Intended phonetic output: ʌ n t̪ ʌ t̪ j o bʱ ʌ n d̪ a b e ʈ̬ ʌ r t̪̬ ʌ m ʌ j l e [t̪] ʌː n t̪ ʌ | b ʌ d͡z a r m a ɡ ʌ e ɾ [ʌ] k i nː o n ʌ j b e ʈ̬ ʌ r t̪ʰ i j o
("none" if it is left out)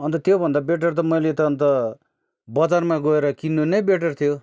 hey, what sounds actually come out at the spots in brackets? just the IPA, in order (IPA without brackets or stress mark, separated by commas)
t̪, ʌ